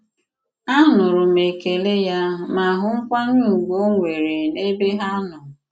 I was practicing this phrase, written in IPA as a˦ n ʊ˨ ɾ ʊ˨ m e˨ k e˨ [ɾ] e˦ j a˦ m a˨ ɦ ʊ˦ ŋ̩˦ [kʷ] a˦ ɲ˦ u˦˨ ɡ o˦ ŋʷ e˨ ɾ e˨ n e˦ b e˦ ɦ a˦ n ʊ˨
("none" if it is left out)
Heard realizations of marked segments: l, kʷ

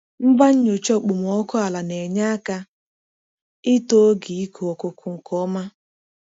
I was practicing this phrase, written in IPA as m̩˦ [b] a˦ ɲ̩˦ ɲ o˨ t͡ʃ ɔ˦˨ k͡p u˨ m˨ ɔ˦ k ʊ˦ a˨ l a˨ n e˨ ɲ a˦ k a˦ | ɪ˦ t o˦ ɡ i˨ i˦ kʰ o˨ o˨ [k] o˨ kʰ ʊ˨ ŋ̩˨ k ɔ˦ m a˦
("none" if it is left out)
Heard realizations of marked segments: b, k

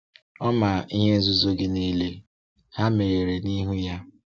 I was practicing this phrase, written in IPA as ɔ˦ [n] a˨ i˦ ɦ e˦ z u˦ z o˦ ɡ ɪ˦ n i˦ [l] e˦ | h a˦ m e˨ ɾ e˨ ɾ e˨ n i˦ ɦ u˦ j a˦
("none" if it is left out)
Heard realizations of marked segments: m, l

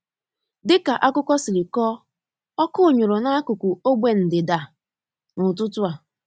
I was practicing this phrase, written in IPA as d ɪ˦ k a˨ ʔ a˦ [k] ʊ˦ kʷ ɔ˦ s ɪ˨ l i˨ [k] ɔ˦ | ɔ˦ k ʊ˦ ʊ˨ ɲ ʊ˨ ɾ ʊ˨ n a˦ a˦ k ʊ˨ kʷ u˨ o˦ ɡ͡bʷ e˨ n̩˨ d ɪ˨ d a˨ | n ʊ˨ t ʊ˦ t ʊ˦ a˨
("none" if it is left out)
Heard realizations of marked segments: k, k

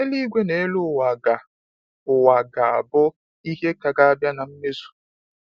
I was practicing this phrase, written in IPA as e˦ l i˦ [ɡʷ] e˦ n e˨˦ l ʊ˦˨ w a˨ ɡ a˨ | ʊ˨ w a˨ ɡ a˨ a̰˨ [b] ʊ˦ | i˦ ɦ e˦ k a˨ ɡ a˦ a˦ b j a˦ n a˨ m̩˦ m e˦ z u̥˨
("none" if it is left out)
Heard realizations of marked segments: ɡʷ, b

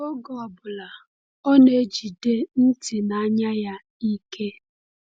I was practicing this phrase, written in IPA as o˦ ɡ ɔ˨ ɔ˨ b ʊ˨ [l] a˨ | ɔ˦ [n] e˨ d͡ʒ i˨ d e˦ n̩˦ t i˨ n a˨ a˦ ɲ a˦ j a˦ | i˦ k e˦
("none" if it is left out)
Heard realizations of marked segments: l, n

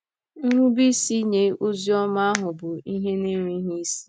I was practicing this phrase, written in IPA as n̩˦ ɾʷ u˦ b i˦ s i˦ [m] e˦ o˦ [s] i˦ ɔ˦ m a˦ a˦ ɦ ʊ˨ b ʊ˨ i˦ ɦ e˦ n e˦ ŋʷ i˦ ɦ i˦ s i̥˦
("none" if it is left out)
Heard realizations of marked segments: ɲ, z

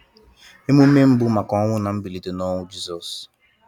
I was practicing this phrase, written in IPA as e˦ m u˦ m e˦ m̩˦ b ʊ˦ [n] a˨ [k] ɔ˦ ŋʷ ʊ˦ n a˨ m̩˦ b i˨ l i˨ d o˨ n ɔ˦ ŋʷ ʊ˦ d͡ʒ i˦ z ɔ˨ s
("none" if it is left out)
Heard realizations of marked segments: m, k

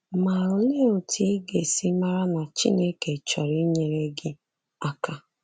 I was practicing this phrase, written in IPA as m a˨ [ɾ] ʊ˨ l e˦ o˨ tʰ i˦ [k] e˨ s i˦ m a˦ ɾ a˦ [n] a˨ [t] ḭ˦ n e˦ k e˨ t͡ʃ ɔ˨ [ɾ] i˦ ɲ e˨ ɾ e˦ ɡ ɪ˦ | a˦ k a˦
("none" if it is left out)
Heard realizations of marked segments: ɾ, ɡ, n, t͡ʃ, ɾ

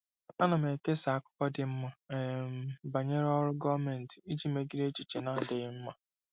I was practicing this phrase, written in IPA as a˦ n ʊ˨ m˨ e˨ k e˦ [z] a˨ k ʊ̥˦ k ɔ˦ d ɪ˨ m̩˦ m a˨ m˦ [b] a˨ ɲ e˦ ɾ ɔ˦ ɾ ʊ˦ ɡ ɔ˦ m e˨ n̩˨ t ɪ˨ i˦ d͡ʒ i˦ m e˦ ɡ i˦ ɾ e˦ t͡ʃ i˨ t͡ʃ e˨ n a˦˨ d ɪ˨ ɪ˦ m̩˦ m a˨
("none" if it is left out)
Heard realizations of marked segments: s, b

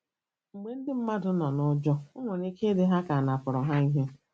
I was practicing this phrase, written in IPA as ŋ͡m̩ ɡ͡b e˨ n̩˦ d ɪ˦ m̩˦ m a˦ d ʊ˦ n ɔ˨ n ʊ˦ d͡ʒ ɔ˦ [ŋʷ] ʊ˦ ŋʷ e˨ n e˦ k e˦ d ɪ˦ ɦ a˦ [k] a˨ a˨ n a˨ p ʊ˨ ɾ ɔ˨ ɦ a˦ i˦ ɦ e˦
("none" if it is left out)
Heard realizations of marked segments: none, k

